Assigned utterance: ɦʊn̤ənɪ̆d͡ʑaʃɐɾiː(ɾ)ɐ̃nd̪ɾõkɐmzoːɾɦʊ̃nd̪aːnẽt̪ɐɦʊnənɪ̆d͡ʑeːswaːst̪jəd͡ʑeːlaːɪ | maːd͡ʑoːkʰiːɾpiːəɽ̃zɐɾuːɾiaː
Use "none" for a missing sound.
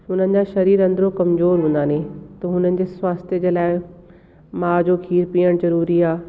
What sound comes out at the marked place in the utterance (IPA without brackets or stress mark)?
ɾ